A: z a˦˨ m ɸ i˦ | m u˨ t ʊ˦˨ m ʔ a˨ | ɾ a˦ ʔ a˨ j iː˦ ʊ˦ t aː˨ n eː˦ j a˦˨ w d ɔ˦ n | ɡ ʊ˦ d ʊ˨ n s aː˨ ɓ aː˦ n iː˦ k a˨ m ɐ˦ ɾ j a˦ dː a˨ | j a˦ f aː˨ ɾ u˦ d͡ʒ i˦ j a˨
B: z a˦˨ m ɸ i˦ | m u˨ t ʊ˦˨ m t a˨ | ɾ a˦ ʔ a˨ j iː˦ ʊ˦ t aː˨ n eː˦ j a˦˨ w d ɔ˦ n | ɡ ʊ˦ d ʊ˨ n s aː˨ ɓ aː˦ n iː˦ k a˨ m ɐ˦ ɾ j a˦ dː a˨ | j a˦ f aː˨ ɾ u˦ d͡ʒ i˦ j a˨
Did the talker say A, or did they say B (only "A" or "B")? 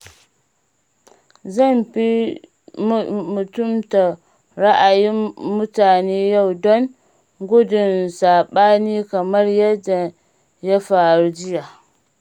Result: B